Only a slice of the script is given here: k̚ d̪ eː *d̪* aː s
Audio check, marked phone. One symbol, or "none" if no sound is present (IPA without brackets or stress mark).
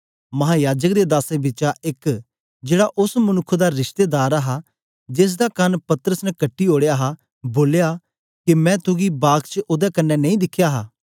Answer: d̪